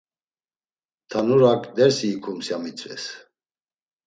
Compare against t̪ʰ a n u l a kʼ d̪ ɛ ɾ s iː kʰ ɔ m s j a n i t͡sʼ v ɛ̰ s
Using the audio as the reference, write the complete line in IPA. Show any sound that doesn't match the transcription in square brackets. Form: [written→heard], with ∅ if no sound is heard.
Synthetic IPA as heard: t̪ʰ a n u [l→ɾ] a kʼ d̪ ɛ ɾ s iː kʰ [ɔ→u] m s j a [n→m] i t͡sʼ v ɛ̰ s